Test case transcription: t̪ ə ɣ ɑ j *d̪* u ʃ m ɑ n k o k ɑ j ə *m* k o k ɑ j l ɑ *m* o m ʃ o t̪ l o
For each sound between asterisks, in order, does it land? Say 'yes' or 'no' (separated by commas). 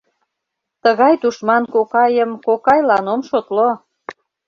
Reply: no, yes, no